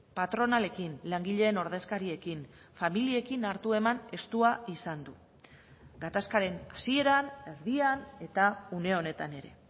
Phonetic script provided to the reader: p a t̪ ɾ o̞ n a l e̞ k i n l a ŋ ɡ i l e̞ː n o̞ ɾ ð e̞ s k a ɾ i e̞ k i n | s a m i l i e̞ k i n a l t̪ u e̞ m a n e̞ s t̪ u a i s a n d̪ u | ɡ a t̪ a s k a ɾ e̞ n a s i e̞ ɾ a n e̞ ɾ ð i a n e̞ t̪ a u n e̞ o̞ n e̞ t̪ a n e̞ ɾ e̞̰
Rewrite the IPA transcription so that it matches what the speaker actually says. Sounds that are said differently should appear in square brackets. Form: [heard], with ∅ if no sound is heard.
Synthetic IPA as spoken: p a t̪ ɾ o̞ n a l e̞ k i n l a ŋ ɡ i [ʎ] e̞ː n o̞ ɾ ð e̞ s k a ɾ i e̞ k i n | [f] a m i l i e̞ k i n a [ɾ] t̪ u e̞ m a n e̞ s t̪ u a i s a n d̪ u | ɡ a t̪ a s k a ɾ e̞ n a s i e̞ ɾ a n e̞ ɾ ð i a n e̞ t̪ a u n e̞ o̞ n e̞ t̪ a n e̞ ɾ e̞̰